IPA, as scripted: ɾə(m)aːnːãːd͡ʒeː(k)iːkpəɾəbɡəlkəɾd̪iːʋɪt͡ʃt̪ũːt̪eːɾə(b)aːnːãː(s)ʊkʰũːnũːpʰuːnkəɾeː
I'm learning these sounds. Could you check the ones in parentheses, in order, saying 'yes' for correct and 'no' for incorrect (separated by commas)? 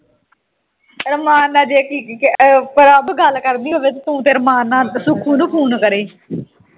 yes, yes, no, yes